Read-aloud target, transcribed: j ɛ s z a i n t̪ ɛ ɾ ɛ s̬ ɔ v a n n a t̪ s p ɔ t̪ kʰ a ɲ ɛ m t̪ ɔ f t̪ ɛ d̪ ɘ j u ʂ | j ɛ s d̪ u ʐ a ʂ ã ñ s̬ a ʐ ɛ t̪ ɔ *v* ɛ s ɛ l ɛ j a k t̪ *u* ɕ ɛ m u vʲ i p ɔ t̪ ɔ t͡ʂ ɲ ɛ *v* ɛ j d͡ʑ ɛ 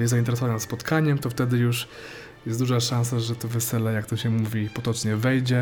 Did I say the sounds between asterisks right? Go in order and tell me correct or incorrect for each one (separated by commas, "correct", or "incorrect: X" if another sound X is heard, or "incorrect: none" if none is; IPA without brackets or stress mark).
correct, incorrect: ɔ, correct